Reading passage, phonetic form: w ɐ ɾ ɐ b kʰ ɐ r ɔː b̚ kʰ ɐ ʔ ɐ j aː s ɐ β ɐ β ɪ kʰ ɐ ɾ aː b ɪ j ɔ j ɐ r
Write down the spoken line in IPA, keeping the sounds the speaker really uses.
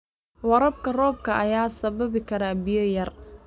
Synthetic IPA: w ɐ ɾ ɐ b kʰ ɐ r ɔː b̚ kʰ ɐ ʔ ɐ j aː s ɐ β ɐ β ɪ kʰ ɐ ɾ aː b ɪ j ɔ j ɐ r